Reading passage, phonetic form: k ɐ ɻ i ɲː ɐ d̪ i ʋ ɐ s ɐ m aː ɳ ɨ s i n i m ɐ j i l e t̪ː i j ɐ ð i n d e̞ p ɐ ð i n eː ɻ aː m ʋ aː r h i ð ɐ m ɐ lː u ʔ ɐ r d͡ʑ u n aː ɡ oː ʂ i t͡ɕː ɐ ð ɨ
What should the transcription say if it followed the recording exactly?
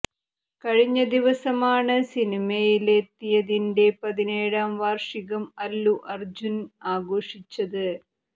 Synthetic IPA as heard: k ɐ ɻ i ɲː ɐ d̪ i ʋ ɐ s ɐ m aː ɳ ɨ s i n i m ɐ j i l e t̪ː i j ɐ ð i n d e̞ p ɐ ð i n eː ɻ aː m ʋ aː r ʂ i ɣ ɐ m ɐ lː u ʔ ɐ r d͡ʑ u n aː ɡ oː ʂ i t͡ɕː ɐ ð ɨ